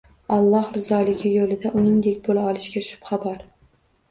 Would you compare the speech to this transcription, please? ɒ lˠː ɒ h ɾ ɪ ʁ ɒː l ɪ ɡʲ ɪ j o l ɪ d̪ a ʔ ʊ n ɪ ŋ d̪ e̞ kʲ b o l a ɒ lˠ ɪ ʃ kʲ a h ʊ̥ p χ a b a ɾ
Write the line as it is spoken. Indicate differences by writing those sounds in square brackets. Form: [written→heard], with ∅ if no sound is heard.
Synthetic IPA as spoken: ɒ lˠː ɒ h ɾ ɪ [ʁ→z] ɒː l ɪ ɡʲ ɪ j o l ɪ d̪ a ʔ ʊ n ɪ ŋ d̪ e̞ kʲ b o l a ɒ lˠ ɪ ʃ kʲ a [h→ʃ] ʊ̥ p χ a b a ɾ